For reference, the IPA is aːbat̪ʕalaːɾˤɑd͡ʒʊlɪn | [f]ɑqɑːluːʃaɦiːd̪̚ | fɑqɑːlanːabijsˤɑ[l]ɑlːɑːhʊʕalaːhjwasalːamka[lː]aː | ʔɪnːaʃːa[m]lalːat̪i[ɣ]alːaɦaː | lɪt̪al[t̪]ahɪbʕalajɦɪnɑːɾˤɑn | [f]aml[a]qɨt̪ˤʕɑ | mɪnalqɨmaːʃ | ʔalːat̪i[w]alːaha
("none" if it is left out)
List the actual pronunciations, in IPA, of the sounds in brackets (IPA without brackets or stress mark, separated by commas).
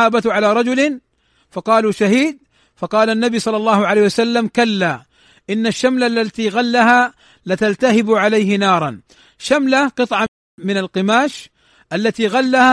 f, lː, lː, m, ɣ, t̪, ʃ, a, ɣ